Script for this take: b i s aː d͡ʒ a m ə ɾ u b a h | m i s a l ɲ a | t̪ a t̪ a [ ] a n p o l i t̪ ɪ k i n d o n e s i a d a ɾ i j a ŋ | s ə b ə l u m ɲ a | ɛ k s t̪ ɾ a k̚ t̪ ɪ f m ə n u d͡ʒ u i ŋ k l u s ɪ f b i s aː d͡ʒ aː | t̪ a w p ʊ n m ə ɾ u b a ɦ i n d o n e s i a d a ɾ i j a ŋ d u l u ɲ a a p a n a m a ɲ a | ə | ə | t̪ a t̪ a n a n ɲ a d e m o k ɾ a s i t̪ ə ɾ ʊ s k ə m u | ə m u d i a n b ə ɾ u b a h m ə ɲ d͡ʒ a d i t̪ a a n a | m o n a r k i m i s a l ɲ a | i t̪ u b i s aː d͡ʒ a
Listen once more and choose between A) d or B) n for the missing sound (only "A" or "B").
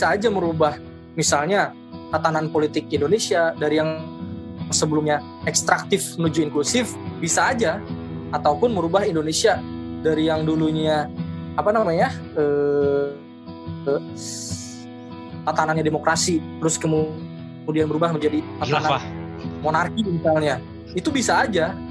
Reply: B